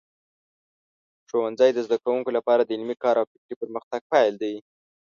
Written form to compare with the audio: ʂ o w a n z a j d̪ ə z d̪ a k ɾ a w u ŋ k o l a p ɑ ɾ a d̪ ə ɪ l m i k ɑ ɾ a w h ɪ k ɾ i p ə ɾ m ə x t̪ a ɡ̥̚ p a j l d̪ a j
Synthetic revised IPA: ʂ o w a n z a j d̪ ə z d̪ a k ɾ a w u ŋ k o l a p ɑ ɾ a d̪ ə ɪ l m i k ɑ ɾ a w f ɪ k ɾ i p ə ɾ m ə x t̪ a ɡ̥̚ p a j l d̪ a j